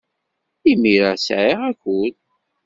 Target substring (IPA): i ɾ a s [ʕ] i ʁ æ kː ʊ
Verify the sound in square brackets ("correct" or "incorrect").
correct